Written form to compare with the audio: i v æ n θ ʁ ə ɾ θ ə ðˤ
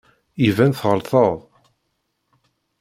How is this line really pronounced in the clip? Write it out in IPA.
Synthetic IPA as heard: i v æ n θ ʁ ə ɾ θ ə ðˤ